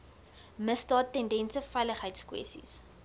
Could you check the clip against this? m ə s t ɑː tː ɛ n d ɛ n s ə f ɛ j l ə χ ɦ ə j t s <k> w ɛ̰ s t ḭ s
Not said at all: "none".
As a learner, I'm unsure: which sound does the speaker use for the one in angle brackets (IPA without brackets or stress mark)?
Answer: k